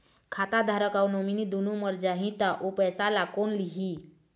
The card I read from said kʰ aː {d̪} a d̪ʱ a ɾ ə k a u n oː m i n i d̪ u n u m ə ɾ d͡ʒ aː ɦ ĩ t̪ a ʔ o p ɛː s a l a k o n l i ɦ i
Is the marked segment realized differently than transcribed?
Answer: yes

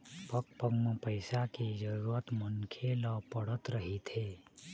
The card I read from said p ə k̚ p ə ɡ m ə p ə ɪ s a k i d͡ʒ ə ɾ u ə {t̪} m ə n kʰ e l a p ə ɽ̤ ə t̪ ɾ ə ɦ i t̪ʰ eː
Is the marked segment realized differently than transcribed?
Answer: no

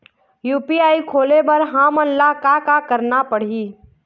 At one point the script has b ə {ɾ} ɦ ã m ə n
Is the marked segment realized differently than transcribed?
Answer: no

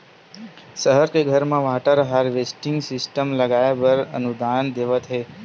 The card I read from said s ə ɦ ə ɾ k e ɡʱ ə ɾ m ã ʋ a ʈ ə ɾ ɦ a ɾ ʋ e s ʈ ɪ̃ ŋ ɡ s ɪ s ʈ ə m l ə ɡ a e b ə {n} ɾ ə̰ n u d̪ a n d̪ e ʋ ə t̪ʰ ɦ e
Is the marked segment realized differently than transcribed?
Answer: yes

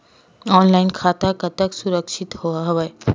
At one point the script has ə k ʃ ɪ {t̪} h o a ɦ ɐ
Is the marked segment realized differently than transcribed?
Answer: no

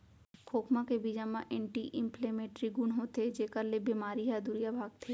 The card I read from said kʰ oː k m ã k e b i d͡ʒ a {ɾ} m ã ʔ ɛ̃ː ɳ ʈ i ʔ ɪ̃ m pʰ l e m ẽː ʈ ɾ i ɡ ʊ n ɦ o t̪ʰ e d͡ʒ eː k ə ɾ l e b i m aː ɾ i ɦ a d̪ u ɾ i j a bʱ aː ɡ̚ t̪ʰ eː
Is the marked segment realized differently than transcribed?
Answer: yes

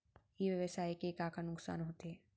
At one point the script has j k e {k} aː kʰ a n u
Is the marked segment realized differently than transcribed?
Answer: no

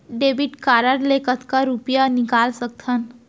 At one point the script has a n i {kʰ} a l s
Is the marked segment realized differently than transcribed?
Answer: yes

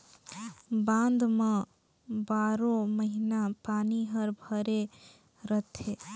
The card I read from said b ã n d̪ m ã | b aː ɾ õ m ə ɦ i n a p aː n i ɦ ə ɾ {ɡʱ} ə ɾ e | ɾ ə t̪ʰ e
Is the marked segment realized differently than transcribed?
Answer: yes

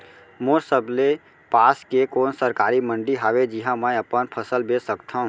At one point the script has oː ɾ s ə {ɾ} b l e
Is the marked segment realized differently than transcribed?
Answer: yes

